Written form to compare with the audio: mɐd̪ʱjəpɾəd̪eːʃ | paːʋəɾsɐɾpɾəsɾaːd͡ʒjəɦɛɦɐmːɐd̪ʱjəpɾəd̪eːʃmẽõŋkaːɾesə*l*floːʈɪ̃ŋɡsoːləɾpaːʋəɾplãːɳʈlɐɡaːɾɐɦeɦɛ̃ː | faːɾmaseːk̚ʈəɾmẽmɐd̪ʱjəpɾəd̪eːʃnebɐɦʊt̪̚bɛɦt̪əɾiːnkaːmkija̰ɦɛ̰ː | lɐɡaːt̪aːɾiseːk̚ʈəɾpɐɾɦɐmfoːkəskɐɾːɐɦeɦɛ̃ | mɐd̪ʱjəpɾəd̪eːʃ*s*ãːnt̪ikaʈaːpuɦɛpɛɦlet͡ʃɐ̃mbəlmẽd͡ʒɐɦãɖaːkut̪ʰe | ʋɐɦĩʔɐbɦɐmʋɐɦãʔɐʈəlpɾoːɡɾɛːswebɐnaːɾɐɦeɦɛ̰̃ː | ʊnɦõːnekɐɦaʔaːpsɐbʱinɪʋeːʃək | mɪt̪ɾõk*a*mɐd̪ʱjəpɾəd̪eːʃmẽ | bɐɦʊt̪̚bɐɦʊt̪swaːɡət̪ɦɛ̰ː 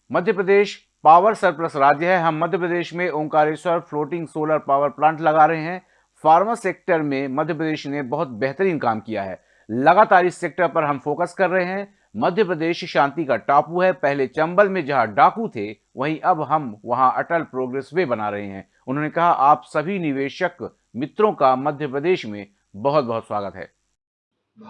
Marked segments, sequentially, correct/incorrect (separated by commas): incorrect, incorrect, correct